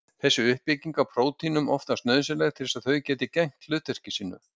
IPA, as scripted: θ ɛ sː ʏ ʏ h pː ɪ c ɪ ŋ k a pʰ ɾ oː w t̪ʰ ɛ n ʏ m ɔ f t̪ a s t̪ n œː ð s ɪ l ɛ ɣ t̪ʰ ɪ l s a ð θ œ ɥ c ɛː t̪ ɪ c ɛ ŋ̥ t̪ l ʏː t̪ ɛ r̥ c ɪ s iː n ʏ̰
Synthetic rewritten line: θ ɛ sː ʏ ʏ h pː ɪ c i ŋ k a pʰ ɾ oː w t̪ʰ i n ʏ m ɔ f t̪ a s t̪ n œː ð s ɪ l ɛ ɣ t̪ʰ ɪ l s a ð θ œ ɥ c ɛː t̪ ɪ c ɛ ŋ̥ t̪ l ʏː t̪ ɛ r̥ c ɪ s iː n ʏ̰